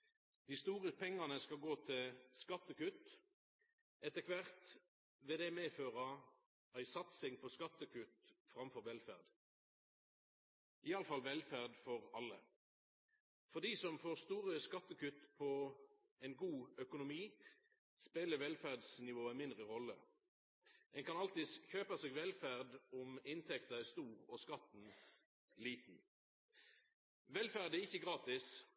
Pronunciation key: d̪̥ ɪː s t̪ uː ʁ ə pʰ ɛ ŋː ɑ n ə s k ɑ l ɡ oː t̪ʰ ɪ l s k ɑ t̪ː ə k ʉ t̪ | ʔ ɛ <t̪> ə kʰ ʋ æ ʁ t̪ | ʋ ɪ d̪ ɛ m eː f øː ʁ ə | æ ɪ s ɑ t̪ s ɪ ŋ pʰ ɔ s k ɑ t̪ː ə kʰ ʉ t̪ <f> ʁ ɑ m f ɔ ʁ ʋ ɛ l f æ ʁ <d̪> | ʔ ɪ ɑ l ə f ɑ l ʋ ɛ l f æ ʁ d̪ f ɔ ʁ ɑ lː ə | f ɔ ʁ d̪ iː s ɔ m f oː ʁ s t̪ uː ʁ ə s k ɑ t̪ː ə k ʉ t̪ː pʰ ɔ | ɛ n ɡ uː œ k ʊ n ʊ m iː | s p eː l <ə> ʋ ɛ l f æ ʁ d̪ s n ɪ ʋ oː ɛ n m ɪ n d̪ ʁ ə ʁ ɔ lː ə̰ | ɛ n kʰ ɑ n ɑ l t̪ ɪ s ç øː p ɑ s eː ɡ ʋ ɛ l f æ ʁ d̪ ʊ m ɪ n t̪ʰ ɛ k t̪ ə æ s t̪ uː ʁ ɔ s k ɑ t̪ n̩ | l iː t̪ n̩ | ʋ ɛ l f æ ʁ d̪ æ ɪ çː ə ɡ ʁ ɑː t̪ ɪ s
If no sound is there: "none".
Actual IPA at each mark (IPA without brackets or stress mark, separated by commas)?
t̪, f, d̪, ə